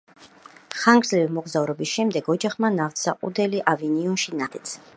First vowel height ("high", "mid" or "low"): low